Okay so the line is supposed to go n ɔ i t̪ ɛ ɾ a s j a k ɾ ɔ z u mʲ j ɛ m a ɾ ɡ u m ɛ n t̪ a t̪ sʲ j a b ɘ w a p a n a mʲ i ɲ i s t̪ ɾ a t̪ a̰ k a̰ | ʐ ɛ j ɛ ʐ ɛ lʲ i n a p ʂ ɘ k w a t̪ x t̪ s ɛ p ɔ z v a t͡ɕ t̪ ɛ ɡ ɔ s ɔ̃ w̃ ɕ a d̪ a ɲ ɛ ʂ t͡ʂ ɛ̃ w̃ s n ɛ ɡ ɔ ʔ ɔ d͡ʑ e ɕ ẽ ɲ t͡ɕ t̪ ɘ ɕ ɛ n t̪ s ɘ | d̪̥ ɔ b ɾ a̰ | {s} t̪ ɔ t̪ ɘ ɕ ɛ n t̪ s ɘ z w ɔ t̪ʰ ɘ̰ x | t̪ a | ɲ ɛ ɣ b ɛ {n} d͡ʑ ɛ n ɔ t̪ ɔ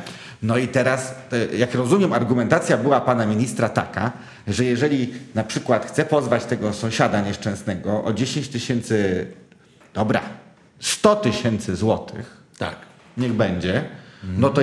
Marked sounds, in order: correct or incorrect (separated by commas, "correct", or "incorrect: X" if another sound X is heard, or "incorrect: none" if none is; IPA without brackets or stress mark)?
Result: correct, incorrect: ɲ